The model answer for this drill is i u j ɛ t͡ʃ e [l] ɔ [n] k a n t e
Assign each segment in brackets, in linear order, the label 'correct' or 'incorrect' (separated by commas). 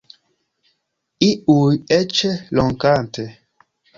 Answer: correct, incorrect